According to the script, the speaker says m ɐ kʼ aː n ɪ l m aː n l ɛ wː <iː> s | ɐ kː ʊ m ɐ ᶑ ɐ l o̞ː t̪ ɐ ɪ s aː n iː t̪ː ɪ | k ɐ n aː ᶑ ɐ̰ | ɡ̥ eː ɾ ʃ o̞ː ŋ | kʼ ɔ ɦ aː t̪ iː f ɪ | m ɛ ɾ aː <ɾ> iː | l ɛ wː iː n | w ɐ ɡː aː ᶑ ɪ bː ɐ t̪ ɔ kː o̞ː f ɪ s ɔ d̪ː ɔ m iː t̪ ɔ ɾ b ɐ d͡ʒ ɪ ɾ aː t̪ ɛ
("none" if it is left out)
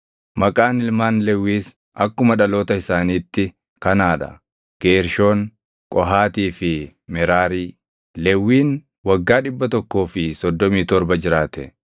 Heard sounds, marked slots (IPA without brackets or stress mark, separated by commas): iː, ɾ